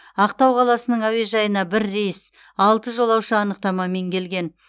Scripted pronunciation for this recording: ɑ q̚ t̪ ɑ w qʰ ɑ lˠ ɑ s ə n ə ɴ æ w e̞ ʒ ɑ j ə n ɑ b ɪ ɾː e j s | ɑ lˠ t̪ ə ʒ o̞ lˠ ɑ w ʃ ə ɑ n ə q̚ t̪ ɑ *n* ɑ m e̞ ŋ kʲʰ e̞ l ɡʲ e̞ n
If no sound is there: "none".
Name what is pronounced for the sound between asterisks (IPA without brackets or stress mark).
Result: m